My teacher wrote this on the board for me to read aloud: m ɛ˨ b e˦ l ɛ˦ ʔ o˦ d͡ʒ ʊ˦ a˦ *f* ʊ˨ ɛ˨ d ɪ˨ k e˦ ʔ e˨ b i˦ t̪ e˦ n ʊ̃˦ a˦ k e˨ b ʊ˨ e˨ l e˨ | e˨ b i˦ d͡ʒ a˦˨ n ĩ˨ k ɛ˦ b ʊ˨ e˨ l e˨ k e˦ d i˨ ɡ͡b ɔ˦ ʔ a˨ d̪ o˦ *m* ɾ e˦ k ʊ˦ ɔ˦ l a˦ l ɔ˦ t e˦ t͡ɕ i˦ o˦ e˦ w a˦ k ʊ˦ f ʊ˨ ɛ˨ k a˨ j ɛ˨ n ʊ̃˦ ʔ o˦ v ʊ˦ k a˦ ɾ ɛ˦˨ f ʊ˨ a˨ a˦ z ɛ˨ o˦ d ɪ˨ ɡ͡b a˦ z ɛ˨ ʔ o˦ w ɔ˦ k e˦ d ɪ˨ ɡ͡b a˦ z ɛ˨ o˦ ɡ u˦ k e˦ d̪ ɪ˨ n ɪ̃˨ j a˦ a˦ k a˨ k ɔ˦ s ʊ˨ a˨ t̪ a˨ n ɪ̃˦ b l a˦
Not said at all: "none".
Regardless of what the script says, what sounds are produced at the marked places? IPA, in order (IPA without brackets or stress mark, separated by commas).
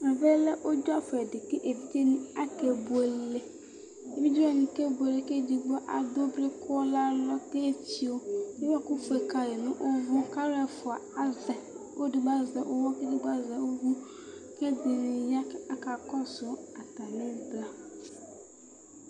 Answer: f, b